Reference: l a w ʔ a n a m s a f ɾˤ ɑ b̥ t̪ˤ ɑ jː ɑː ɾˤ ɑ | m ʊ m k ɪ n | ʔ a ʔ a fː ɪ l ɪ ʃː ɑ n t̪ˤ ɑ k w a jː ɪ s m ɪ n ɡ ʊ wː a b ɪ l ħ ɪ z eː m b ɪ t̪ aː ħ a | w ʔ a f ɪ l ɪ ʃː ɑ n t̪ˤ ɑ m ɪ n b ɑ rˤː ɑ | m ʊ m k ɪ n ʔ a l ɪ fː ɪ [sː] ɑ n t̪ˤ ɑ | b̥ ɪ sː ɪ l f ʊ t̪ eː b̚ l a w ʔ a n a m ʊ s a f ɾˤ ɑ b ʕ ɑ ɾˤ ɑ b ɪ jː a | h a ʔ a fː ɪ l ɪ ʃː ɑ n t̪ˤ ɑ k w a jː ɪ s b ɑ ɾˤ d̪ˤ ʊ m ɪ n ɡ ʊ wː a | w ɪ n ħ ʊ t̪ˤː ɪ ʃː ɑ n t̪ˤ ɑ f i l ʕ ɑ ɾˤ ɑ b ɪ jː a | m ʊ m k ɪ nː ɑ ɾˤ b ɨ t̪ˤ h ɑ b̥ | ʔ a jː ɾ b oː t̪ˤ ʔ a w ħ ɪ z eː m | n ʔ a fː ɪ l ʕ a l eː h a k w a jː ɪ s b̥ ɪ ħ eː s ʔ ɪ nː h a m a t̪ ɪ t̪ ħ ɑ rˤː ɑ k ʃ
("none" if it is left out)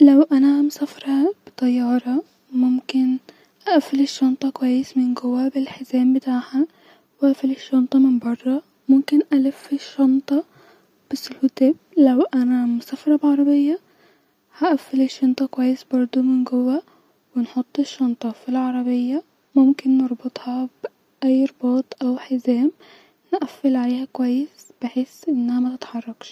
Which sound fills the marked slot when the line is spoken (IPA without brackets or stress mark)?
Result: ʃː